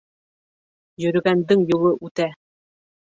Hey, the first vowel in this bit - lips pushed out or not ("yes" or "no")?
yes